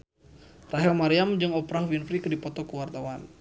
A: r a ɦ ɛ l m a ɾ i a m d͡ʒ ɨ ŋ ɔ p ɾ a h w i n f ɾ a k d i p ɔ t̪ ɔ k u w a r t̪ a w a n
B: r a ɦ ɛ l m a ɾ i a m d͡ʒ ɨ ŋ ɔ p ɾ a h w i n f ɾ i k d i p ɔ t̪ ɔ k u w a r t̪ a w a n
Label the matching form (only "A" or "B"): B